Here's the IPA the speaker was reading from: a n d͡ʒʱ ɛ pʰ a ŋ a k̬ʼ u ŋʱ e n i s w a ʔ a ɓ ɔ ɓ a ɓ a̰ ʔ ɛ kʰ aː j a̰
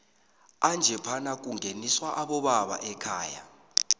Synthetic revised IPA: a n d͡ʒʱ ɛ pʰ a n a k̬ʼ u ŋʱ e n i s w a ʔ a ɓ ɔ ɓ a ɓ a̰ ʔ ɛ kʰ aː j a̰